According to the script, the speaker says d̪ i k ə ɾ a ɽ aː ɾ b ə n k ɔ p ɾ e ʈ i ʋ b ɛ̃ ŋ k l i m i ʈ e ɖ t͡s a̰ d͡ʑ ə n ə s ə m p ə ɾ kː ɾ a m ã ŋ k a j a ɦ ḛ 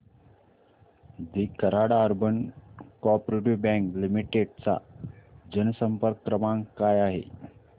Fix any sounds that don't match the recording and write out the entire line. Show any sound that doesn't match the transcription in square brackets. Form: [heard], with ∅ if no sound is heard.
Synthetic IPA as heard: d̪ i k ə ɾ a ɽ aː ɾ b ə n k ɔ p ɾ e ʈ i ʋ b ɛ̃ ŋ k l i m i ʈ e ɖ t͡s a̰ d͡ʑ ə n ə s ə m p ə ɾ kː ɾ [ə] m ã ŋ k a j a ɦ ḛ